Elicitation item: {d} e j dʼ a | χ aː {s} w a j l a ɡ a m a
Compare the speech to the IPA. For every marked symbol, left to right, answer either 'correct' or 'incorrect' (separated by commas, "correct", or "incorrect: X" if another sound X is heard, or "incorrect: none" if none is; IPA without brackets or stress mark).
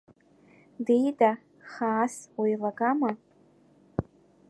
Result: correct, correct